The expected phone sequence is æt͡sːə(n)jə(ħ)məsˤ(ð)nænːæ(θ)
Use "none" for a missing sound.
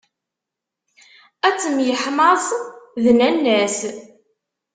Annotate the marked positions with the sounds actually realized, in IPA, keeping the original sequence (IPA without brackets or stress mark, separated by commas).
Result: m, ħ, ð, s